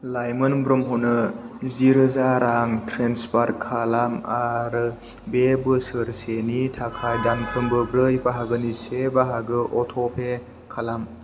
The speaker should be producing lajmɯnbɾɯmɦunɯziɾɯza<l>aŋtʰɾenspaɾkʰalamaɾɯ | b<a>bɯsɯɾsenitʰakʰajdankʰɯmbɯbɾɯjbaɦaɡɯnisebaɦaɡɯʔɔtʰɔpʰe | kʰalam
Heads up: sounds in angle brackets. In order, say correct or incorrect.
incorrect, incorrect

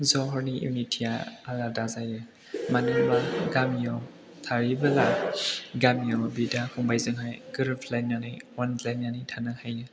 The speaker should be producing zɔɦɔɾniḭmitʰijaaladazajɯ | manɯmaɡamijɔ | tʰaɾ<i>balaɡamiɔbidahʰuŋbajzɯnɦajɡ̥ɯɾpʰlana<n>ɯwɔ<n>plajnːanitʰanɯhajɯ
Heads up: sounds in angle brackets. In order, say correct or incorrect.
correct, correct, correct

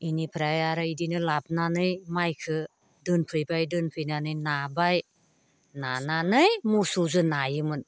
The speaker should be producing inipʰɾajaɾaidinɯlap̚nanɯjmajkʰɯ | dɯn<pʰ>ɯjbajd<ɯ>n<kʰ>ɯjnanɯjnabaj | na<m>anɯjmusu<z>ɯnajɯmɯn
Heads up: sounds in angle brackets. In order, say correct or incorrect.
correct, correct, incorrect, incorrect, correct

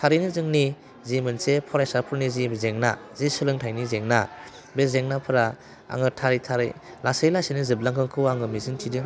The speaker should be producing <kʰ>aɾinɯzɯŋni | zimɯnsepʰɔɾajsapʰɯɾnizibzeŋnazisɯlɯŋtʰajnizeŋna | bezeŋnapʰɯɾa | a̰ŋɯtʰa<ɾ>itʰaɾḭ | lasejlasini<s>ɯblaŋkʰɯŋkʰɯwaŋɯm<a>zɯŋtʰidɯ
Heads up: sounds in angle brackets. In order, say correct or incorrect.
incorrect, correct, incorrect, incorrect

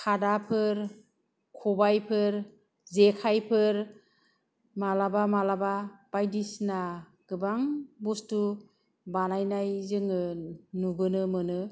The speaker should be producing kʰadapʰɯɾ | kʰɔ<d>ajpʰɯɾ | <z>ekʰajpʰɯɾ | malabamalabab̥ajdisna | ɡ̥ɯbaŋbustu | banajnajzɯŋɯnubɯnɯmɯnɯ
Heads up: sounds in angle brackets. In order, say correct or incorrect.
incorrect, correct

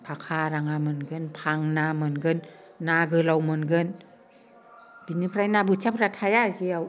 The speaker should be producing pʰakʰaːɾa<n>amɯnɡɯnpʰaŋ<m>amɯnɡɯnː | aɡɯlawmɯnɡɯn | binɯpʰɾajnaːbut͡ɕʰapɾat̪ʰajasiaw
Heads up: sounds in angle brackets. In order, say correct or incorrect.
incorrect, incorrect

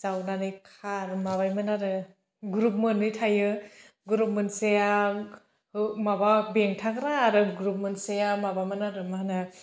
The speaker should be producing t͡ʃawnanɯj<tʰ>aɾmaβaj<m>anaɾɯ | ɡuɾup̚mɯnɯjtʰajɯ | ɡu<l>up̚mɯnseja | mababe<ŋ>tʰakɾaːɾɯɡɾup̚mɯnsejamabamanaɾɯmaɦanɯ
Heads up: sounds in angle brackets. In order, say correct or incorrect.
incorrect, correct, incorrect, correct

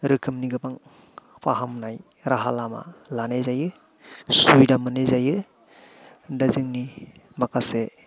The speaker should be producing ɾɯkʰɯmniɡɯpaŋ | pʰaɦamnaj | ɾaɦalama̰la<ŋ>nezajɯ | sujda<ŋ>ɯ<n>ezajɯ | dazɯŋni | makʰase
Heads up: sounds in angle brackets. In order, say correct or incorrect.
incorrect, incorrect, correct

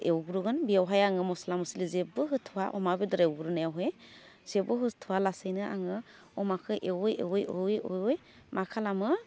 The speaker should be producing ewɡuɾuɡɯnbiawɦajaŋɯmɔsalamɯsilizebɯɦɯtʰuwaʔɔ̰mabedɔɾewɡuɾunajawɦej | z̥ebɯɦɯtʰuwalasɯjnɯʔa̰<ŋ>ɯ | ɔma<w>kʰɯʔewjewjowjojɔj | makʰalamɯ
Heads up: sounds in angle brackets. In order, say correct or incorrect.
correct, incorrect

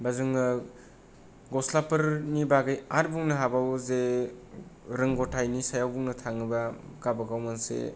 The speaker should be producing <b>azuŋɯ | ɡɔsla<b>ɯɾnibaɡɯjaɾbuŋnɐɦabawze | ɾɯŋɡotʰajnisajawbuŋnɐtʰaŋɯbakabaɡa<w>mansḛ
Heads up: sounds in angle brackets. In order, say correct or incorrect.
correct, incorrect, correct

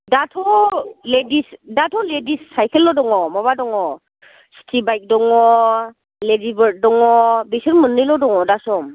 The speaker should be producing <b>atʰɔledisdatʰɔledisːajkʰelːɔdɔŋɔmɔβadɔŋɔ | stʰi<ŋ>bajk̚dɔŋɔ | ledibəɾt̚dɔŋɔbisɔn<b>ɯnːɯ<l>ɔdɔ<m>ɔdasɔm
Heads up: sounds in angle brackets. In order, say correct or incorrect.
incorrect, incorrect, incorrect, correct, incorrect

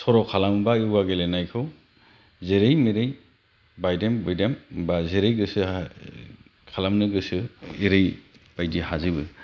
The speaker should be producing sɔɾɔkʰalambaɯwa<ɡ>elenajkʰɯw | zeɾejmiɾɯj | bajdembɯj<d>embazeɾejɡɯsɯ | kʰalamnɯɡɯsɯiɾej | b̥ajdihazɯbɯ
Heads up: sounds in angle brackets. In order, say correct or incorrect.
correct, correct

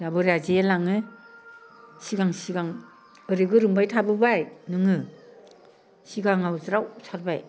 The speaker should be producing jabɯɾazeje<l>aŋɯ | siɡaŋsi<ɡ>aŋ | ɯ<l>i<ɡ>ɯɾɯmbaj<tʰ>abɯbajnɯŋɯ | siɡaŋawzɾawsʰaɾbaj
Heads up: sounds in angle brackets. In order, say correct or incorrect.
correct, correct, incorrect, correct, correct

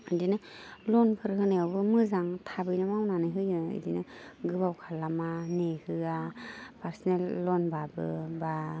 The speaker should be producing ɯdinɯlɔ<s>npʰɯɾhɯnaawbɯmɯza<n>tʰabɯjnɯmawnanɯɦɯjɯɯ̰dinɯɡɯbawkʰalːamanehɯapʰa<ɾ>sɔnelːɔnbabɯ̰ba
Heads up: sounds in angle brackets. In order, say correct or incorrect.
incorrect, incorrect, correct

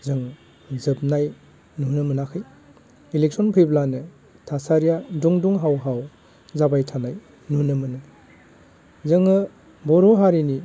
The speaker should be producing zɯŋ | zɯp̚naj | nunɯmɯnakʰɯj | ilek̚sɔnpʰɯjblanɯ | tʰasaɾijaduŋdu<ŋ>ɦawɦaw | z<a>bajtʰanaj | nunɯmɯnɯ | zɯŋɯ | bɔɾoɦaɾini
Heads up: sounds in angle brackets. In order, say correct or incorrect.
correct, correct

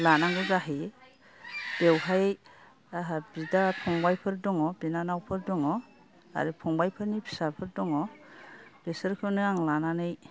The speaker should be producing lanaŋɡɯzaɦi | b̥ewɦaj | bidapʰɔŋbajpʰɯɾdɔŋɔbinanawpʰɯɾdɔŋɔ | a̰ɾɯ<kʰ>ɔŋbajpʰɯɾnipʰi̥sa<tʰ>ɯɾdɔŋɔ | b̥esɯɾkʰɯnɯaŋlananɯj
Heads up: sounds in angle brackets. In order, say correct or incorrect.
incorrect, incorrect

